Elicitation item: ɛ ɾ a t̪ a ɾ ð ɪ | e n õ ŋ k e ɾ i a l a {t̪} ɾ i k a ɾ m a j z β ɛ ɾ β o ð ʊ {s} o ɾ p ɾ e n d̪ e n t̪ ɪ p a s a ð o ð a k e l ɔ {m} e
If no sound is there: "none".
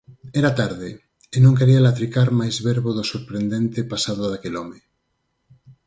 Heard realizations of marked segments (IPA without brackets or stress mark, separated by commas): t̪, s, m